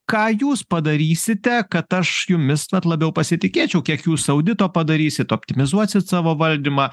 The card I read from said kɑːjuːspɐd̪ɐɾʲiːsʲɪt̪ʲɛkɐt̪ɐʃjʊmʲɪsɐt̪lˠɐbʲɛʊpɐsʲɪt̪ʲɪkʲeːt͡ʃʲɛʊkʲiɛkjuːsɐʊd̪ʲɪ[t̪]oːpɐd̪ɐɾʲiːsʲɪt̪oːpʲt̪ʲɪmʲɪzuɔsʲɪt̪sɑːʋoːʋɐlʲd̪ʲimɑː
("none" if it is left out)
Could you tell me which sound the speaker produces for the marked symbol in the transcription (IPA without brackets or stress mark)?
t̪